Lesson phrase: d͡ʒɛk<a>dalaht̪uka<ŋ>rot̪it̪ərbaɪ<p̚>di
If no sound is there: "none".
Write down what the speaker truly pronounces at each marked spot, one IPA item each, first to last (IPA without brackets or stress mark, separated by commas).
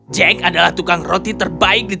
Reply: a, ŋ, k̚